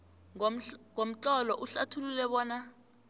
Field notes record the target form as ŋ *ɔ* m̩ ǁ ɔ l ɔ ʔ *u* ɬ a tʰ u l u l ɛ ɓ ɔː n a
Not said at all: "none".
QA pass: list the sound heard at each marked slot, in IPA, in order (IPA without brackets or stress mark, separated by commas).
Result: o, u